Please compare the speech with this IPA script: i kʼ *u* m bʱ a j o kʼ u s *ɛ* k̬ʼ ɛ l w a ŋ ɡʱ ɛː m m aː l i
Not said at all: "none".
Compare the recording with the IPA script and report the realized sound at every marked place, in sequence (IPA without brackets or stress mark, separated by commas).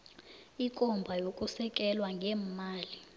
ɔ, ɛ